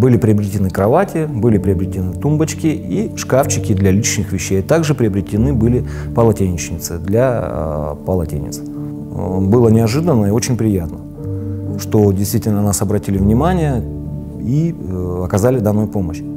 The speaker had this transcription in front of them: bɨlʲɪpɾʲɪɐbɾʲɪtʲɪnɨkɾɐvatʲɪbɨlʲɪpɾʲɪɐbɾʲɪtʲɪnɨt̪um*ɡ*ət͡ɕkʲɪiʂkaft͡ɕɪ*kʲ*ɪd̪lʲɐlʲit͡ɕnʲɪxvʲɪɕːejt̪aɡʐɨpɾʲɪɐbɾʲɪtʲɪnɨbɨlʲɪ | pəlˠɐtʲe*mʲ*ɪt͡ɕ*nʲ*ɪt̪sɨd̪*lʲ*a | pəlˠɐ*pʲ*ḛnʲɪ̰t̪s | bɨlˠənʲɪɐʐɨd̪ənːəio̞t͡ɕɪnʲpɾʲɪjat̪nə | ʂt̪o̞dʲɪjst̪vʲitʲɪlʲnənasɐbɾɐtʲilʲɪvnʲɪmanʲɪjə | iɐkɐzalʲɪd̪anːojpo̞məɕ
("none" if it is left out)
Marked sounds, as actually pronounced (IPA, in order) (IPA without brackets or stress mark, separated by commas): b, kʲ, nʲ, nʲ, lʲ, tʲ